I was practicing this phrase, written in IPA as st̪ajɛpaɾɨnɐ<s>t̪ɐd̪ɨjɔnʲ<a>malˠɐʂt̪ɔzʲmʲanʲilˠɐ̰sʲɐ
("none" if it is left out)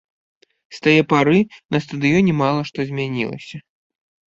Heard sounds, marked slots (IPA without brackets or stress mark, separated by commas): s, ɛ